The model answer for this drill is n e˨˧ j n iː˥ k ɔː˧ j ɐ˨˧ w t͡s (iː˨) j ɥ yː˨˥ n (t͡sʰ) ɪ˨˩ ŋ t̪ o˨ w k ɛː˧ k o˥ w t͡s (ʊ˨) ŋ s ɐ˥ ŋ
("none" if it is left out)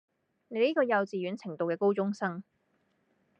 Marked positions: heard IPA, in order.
iː˨, t͡sʰ, ʊ˥

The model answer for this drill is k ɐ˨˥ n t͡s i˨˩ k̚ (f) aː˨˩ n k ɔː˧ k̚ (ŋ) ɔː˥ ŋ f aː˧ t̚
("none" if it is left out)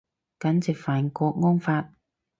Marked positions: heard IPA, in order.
f, ŋ

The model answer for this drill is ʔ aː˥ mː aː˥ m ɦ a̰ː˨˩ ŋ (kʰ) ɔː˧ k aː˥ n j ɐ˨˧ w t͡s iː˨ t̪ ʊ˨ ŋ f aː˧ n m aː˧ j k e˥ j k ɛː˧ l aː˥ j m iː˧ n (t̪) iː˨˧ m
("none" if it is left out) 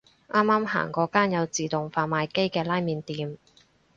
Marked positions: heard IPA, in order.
k, t̪

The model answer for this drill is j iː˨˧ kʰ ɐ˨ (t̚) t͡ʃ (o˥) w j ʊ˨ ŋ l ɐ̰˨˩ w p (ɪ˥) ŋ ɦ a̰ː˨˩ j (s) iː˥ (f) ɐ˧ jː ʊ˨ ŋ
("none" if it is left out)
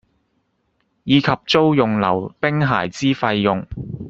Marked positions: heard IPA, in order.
p̚, o˥, ɪ˥, t͡s, f

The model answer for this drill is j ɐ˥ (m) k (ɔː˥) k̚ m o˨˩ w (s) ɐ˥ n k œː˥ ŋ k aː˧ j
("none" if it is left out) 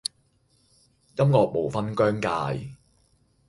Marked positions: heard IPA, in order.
m, ɔː˨, f

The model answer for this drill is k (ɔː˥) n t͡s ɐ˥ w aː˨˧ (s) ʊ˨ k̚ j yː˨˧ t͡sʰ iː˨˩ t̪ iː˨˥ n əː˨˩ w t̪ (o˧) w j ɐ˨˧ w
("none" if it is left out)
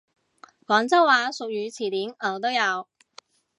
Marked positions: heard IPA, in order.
ɔː˨˥, s, o˥

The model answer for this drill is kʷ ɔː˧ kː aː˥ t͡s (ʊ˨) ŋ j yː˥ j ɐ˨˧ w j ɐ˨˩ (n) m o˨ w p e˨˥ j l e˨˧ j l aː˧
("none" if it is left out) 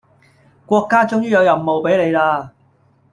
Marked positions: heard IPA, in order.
ʊ˥, m

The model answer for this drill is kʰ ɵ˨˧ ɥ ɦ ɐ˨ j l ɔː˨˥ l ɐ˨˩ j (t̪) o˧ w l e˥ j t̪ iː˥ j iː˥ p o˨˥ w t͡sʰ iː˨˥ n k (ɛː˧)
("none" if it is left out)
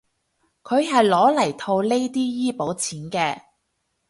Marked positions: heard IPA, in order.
t̪ʰ, ɛː˧

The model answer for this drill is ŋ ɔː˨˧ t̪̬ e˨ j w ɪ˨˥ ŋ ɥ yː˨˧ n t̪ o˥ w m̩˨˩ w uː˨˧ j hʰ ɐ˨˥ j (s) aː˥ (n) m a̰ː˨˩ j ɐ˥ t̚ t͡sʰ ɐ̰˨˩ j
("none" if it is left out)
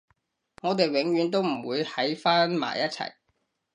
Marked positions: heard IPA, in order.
f, n

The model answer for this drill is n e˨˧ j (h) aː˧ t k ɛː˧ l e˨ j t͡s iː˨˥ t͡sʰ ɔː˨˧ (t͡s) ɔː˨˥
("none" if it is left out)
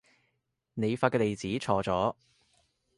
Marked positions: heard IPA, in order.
f, t͡s

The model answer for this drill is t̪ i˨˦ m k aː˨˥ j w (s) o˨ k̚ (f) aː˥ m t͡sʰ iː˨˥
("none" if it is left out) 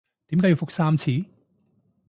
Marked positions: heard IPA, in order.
f, s

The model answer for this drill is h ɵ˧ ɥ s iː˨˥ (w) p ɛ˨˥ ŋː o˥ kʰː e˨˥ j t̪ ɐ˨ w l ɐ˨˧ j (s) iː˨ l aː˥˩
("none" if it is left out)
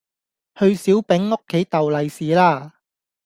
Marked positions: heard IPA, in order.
w, s

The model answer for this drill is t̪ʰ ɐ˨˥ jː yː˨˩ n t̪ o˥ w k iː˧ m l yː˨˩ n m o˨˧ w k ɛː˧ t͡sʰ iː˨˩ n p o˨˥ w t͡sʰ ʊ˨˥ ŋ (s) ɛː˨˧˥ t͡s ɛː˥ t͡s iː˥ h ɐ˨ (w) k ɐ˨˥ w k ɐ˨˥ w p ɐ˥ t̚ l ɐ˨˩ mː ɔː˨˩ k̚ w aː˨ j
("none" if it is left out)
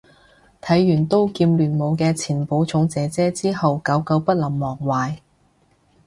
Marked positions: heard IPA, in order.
t͡s, w

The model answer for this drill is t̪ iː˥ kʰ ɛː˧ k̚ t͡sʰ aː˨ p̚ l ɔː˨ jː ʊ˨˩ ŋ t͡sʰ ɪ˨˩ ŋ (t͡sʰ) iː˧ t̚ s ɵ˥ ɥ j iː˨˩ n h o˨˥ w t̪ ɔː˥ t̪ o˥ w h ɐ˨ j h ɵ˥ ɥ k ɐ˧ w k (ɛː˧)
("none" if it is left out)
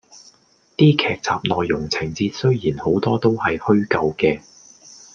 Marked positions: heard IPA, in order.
t͡s, ɛː˧

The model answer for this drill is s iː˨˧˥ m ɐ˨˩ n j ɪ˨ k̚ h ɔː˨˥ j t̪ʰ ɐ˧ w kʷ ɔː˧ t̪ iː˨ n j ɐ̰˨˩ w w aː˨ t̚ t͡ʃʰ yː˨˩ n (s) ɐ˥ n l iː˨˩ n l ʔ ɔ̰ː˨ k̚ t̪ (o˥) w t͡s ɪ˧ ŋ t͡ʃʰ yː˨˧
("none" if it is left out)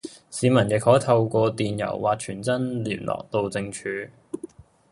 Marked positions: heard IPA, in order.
t͡s, o˧

